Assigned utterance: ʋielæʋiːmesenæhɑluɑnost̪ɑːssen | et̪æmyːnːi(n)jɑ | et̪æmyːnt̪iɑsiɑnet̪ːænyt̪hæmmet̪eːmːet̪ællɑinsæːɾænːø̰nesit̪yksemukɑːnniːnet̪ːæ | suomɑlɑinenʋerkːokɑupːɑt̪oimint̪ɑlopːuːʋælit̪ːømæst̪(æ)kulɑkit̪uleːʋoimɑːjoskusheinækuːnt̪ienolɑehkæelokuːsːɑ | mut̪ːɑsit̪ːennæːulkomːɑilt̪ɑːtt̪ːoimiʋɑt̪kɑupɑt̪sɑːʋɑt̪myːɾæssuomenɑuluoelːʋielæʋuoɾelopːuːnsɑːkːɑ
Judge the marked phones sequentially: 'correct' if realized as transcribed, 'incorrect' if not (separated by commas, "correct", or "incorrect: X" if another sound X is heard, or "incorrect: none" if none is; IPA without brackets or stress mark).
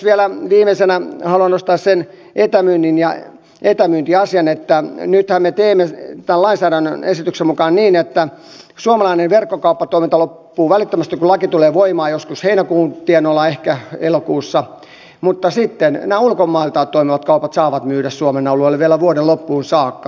correct, incorrect: i